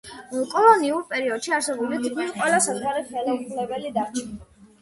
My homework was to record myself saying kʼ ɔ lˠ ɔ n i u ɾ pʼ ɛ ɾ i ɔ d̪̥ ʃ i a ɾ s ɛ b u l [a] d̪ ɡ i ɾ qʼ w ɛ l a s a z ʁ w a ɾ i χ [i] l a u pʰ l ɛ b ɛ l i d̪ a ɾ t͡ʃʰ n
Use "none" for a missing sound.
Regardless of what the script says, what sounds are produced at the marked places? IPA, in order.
i, ɛ

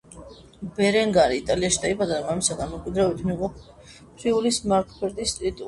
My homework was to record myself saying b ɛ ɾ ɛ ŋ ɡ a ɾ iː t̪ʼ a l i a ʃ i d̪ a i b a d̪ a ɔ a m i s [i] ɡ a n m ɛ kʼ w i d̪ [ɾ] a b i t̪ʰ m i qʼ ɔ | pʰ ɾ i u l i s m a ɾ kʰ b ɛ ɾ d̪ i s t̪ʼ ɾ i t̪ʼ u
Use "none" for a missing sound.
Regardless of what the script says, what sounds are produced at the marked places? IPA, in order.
a, ɾ

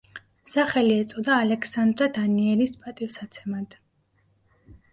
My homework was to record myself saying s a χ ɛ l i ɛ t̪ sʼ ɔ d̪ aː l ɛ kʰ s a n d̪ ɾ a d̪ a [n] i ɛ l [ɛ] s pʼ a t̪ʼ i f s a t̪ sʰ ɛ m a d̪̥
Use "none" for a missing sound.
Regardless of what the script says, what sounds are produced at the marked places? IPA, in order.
n, i

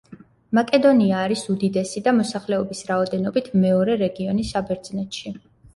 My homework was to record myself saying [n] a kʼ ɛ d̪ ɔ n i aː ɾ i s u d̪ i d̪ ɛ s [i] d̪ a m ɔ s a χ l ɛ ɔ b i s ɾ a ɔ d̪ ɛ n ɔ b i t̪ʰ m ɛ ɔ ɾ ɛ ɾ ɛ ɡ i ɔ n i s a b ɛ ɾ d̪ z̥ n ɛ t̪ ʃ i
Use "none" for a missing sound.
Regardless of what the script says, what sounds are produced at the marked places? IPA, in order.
m, i

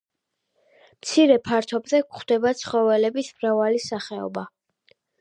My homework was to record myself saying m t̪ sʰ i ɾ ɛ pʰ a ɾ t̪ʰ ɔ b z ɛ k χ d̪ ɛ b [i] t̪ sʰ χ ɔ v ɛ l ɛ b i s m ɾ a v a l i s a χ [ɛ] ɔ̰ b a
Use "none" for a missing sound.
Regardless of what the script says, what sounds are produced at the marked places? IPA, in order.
a, ɛ

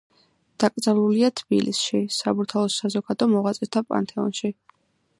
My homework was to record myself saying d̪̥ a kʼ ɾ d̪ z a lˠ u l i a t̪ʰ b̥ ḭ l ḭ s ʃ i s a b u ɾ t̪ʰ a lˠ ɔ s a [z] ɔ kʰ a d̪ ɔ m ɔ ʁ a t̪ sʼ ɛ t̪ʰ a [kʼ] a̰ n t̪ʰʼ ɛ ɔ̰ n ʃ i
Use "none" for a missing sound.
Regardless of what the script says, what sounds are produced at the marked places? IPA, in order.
z, pʼ

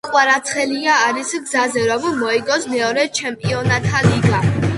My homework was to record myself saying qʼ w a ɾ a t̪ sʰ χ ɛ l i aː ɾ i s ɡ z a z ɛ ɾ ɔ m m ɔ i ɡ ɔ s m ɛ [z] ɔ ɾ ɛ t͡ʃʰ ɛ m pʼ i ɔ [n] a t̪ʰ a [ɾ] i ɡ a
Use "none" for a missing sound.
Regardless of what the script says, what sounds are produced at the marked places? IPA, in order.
none, n, l

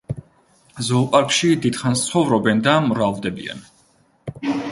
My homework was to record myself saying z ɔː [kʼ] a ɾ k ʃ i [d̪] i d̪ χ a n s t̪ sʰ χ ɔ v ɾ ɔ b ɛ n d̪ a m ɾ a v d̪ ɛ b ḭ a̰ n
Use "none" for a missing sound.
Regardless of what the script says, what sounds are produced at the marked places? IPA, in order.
pʼ, d̪

